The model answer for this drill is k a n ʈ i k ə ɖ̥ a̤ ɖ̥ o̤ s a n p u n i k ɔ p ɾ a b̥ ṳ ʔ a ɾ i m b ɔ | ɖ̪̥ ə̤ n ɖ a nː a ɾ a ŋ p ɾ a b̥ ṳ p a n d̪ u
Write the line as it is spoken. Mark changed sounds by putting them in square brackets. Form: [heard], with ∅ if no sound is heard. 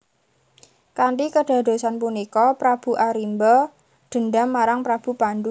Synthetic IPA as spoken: k a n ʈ i k ə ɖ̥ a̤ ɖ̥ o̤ s a n p u n i k ɔ p ɾ a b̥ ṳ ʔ a ɾ i m b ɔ | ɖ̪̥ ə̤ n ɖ a [mː] a ɾ a ŋ p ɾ a b̥ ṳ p a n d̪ u

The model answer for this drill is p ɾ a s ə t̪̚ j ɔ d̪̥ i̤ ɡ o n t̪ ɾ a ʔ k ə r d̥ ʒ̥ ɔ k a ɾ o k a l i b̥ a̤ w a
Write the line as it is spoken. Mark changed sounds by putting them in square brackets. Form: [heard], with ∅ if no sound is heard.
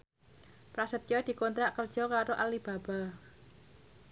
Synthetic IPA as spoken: p ɾ a s ə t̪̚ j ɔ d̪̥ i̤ [k] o n t̪ ɾ a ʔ k ə r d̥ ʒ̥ ɔ k a ɾ o [ʔ] a l i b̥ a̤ [b] a

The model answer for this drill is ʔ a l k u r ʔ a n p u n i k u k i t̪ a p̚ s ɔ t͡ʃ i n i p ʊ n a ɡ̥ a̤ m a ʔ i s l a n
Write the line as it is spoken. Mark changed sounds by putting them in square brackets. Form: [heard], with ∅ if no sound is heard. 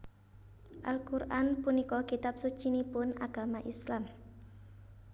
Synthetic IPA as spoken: ʔ a l k u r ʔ a n p u n i k [ɔ] k i t̪ a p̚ s [u] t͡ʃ i n i p ʊ n a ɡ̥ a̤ m a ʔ i s l a [m]

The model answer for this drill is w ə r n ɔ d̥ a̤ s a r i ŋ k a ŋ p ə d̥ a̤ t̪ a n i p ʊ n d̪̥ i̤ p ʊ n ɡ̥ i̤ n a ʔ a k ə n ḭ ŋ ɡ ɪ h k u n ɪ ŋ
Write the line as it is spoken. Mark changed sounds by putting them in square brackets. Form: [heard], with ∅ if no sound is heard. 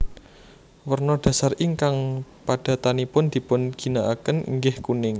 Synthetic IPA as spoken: w ə r n ɔ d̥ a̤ s a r i ŋ k a ŋ p [a] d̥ a̤ t̪ a n i p ʊ n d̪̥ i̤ p ʊ n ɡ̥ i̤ n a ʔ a k ə n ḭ ŋ ɡ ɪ h k u n ɪ ŋ

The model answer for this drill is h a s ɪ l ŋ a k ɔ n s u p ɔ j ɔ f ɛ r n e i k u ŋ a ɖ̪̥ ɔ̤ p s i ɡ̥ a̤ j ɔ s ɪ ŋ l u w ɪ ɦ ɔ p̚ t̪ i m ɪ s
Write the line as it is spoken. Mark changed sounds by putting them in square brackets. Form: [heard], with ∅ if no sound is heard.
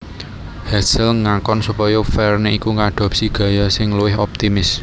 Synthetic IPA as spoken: h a s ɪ l ŋ a k ɔ n s u p ɔ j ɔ f ɛ r n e i k u ŋ a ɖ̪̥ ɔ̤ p s i ɡ̥ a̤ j ɔ s ɪ ŋ l u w ɪ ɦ ɔ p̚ t̪ i m ɪ s

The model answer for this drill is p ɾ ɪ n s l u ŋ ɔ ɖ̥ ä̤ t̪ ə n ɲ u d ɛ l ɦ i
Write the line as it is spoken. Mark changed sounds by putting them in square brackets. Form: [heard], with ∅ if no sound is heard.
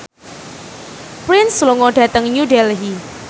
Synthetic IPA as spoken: p ɾ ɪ n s l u ŋ ɔ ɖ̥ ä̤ t̪ ə [ŋ] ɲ u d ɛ l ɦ i

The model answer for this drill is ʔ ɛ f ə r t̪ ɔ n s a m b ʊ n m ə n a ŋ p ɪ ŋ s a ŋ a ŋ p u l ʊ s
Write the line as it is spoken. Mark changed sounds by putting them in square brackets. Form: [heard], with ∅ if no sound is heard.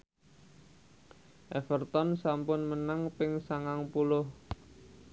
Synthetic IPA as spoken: ʔ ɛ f ə r t̪ ɔ n s a m [p] ʊ n m ə n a ŋ p ɪ ŋ s a ŋ a ŋ p u l ʊ [h]

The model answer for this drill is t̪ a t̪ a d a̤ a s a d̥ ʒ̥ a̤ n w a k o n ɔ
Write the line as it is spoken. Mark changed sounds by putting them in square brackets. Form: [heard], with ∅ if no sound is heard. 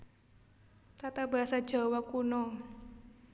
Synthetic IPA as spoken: t̪ a t̪ a [b] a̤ a s a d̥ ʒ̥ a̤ [∅] w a k [u] n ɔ

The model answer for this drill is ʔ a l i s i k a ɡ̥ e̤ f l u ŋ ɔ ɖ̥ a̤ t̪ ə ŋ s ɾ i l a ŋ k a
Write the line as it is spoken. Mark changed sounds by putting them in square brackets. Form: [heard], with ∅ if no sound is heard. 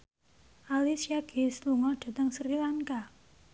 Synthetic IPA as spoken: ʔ a l i s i [∅] a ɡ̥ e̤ [s] l u ŋ ɔ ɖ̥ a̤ t̪ ə ŋ s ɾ i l a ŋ k a

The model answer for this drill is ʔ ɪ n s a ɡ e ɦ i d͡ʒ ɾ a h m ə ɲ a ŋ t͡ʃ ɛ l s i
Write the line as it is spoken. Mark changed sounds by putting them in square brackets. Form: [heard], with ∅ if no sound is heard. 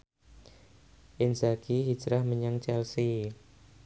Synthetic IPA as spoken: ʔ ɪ n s a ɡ [i] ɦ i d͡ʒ ɾ a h m ə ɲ a ŋ t͡ʃ ɛ l s i

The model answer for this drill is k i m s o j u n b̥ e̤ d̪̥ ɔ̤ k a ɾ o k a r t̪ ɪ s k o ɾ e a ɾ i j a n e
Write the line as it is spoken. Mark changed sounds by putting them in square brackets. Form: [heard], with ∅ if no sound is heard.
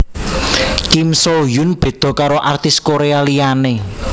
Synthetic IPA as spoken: k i m s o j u n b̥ e̤ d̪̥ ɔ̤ k a ɾ o [ʔ] a r t̪ ɪ s k o ɾ e a [l] i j a n e

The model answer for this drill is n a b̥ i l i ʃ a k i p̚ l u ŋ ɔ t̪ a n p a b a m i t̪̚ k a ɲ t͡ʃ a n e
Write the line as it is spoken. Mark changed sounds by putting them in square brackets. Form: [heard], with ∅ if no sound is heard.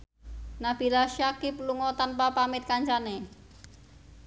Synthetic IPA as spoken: n a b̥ i l [a] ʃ a k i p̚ l u ŋ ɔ t̪ a n p a [p] a m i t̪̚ k a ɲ t͡ʃ a n e

